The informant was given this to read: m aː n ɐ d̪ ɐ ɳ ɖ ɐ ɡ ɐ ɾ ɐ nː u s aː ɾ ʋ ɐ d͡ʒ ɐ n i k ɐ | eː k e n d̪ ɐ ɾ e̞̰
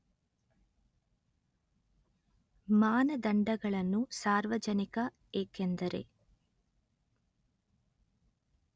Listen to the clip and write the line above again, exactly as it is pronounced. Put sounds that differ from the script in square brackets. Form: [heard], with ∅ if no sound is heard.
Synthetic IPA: m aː n ɐ d̪ ɐ ɳ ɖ ɐ ɡ ɐ [ɭ] ɐ nː u s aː ɾ ʋ ɐ d͡ʒ ɐ n i k ɐ | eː k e n d̪ ɐ ɾ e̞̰